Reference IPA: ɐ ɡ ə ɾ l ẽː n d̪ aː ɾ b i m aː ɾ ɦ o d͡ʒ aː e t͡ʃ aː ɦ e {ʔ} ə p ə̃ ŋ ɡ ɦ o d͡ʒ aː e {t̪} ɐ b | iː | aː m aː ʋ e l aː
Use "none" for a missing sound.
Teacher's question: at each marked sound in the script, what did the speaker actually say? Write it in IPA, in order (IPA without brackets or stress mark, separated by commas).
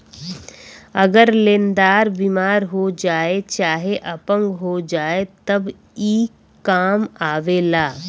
ʔ, t̪